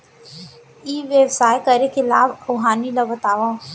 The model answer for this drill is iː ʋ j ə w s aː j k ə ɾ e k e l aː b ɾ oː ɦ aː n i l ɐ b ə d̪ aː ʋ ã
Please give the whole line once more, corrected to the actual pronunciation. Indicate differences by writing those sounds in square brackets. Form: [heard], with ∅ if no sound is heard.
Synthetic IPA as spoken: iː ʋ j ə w s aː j k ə ɾ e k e l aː b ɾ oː ɦ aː n i l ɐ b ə [t̪] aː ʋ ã

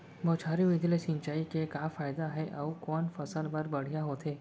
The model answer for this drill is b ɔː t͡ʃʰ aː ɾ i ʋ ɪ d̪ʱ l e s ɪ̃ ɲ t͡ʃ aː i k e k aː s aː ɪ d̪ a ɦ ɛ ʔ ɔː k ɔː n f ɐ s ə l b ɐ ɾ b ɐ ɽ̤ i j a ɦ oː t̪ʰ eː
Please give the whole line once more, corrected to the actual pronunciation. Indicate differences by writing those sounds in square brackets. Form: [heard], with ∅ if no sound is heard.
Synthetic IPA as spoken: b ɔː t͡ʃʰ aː ɾ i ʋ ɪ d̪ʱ l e s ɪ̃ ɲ t͡ʃ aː i k e k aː [f] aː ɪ d̪ a ɦ ɛ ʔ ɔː k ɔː n f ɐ s ə l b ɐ ɾ b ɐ ɽ̤ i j a ɦ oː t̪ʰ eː

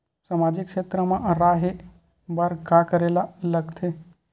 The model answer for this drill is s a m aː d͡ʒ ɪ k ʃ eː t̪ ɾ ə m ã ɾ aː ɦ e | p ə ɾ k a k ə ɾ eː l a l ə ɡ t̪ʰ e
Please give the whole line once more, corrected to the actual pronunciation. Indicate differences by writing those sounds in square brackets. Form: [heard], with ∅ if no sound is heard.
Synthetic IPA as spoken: s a m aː d͡ʒ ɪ k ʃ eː t̪ ɾ ə m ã ɾ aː ɦ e | [b] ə ɾ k a k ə ɾ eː l a l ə ɡ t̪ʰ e

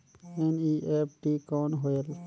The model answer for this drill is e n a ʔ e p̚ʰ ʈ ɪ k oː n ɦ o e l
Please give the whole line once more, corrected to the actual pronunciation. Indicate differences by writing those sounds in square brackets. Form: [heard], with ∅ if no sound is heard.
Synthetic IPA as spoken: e n [i] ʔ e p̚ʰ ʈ [i] k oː n ɦ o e l

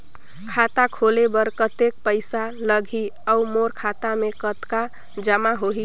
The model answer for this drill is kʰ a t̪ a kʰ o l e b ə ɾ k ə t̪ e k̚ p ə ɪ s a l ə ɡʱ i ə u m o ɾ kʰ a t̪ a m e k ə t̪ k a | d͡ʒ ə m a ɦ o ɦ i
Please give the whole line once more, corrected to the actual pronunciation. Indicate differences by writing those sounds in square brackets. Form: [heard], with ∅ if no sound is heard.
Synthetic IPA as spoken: kʰ a t̪ a kʰ o l e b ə ɾ k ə t̪ e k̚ p ə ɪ s a l ə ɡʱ i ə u m o ɾ kʰ a t̪ a m e k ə t̪ k a | d͡ʒ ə m a ɦ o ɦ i

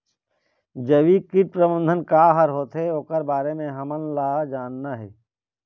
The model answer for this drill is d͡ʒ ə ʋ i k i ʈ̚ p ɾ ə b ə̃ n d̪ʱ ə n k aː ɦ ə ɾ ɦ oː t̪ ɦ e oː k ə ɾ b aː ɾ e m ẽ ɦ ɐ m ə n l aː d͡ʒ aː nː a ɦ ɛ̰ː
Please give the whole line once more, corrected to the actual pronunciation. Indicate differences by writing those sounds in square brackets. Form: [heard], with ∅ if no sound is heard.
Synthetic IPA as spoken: d͡ʒ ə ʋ i k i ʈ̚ p ɾ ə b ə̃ n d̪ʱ ə n k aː ɦ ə ɾ ɦ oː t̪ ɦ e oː k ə ɾ b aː ɾ e m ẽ ɦ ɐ m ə n l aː d͡ʒ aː nː a ɦ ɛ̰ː

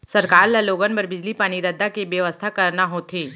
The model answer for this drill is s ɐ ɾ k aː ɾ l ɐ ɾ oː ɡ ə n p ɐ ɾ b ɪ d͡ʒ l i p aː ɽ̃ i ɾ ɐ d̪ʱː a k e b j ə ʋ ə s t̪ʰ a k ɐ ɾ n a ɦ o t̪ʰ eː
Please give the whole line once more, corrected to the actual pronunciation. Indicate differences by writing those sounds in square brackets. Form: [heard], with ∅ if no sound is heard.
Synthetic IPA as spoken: s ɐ ɾ k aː ɾ l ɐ [l] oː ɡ ə n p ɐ ɾ b ɪ d͡ʒ l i p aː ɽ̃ i ɾ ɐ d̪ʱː a k e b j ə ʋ ə s t̪ʰ a k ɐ ɾ n a ɦ o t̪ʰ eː

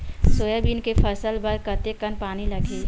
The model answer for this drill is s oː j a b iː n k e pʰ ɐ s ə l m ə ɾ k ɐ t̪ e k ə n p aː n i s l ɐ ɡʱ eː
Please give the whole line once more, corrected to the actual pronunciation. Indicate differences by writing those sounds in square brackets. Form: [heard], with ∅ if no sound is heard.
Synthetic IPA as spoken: s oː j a b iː n k e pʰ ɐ s ə l [b] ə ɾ k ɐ t̪ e k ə n p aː n i [∅] l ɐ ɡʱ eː

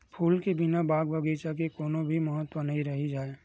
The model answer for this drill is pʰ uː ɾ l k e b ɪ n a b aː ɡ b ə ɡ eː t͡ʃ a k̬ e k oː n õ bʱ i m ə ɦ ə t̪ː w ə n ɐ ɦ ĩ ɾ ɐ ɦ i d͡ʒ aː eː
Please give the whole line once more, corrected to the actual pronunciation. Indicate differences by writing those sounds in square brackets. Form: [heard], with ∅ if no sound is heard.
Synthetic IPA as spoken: pʰ uː [∅] l k e b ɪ n a b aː ɡ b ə ɡ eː t͡ʃ a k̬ e k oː n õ bʱ i m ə ɦ ə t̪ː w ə n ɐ ɦ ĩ ɾ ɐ ɦ i d͡ʒ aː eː

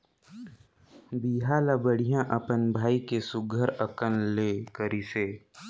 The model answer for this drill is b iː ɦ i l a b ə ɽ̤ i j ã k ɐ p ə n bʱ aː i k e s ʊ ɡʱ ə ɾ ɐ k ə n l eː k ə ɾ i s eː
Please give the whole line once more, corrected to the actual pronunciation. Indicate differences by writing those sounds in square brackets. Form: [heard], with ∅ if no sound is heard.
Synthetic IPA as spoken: b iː ɦ [a] l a b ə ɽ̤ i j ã [ʔ] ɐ p ə n bʱ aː i k e s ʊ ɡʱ ə ɾ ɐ k ə n l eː k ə ɾ i s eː

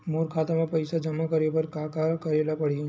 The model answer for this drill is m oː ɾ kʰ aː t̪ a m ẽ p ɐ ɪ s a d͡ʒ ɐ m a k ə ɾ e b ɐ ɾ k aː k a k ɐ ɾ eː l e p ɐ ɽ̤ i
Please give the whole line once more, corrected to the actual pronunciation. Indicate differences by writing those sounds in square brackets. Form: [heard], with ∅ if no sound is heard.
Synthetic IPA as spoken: m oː ɾ kʰ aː t̪ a m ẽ p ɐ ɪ s a d͡ʒ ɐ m a k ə ɾ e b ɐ ɾ k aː k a k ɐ ɾ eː l [a] p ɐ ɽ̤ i

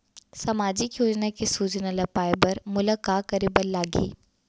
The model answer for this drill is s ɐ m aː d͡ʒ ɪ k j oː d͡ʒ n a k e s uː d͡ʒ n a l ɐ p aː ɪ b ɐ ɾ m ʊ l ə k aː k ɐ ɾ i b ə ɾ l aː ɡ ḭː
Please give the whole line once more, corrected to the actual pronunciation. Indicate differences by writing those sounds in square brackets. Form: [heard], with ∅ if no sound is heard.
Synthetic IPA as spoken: s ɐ m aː d͡ʒ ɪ k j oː d͡ʒ n a k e s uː d͡ʒ n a l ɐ p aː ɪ b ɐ ɾ m ʊ l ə k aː k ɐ ɾ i b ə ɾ l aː ɡ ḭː

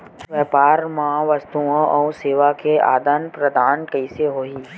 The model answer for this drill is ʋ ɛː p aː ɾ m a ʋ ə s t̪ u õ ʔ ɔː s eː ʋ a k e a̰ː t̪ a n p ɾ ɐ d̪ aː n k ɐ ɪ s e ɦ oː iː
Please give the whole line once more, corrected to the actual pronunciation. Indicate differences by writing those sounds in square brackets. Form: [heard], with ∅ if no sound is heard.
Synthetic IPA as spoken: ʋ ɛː p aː ɾ m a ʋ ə s t̪ u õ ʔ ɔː s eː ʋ a k e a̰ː [d̪] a n p ɾ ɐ d̪ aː n k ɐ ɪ s e ɦ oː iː

